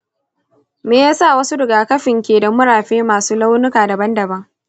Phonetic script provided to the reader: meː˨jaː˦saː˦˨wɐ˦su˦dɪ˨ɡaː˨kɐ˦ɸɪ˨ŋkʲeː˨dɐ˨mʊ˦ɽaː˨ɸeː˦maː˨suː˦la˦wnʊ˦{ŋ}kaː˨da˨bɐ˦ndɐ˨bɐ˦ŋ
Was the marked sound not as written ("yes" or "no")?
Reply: yes